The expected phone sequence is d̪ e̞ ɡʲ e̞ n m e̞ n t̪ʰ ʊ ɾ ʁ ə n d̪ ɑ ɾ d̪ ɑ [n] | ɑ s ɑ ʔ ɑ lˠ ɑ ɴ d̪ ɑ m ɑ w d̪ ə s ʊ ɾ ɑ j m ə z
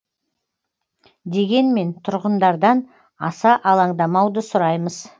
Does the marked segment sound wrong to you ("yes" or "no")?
no